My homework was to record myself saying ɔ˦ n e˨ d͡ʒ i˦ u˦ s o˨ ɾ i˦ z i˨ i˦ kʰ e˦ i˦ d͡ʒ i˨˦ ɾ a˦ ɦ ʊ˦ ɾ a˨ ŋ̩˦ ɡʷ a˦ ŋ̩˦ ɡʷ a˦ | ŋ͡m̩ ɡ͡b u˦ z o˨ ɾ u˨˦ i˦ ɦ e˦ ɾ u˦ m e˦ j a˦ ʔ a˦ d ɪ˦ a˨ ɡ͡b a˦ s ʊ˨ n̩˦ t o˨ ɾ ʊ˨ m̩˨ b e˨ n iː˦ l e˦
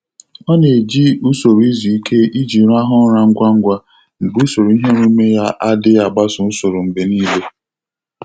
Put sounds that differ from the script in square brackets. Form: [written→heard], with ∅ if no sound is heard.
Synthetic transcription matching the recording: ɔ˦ n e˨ d͡ʒ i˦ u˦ s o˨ ɾ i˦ z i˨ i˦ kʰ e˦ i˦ d͡ʒ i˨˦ ɾ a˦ ɦ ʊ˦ ɾ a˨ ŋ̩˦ ɡʷ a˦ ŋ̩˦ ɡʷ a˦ | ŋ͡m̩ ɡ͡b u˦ [z→s] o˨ ɾ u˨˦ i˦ ɦ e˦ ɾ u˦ m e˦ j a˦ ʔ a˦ d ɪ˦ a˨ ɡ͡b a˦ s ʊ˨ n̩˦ [t→s] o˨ ɾ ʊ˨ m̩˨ b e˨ n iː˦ l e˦